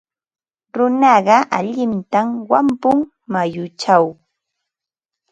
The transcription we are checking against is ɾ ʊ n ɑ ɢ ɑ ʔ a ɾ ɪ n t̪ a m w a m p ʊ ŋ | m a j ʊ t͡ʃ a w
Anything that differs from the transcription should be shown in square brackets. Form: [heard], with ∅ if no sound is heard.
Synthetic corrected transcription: ɾ ʊ n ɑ ɢ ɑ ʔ a [ʎ] ɪ n t̪ a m w a m p ʊ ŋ | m a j ʊ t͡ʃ a w